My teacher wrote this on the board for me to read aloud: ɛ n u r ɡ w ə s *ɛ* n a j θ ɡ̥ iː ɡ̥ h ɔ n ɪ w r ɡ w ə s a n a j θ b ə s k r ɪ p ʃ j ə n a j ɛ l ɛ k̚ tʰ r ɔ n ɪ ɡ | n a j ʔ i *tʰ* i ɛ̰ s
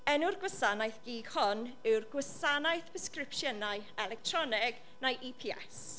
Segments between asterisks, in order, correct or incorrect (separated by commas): incorrect, incorrect